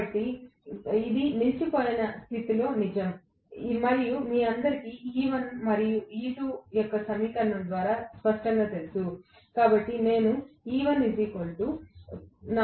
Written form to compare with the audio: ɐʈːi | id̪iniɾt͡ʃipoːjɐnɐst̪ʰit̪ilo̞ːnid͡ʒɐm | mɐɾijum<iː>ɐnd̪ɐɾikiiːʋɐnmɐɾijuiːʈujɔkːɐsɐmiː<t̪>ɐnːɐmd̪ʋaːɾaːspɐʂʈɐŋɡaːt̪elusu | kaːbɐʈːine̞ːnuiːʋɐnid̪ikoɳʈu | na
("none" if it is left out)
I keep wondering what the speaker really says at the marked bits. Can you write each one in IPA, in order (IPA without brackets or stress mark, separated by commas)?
iː, t̪